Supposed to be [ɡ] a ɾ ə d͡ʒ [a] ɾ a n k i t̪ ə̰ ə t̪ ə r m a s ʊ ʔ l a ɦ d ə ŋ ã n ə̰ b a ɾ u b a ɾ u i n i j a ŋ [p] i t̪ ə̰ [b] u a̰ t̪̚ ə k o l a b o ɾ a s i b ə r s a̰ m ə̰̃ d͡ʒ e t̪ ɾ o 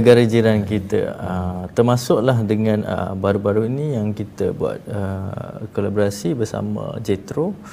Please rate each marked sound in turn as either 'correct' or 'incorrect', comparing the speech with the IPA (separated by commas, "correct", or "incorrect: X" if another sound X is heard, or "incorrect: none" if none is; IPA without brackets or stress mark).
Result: correct, incorrect: i, incorrect: k, correct